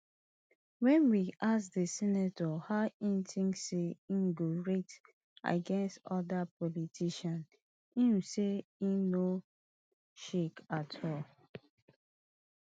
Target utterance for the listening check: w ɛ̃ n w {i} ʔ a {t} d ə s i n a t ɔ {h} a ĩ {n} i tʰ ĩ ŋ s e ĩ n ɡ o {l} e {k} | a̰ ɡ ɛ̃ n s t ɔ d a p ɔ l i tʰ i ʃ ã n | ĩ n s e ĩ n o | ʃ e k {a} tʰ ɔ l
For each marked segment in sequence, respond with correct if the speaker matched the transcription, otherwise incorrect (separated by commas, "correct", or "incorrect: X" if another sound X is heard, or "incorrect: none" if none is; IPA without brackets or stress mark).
correct, incorrect: s, correct, correct, incorrect: ɹ, incorrect: t, correct